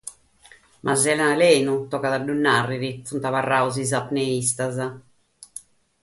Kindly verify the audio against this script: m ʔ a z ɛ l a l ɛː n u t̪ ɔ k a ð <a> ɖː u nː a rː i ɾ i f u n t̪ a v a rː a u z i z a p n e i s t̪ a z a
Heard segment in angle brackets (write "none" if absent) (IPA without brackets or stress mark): a